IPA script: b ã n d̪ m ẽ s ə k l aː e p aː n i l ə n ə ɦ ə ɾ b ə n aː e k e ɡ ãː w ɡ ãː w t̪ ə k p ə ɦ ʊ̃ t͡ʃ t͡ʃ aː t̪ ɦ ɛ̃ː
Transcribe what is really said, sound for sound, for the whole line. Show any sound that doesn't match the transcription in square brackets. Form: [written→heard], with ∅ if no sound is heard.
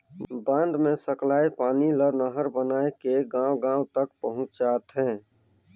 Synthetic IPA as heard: b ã n d̪ m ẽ s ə k l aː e p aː n i l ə n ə ɦ ə ɾ b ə n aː e k e ɡ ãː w ɡ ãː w t̪ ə k p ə ɦ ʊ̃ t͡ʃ t͡ʃ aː t̪ ɦ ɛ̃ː